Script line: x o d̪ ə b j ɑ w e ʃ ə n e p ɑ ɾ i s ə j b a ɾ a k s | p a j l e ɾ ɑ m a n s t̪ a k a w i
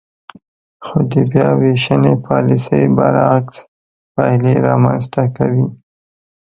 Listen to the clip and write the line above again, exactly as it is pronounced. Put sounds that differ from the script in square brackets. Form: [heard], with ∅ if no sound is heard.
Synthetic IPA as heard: x o d̪ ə b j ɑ w e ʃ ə n e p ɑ [l] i s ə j b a ɾ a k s | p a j l e ɾ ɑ m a n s t̪ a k a w i